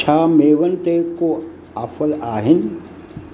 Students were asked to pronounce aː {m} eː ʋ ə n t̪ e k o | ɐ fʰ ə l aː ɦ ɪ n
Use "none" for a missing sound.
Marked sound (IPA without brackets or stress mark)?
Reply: m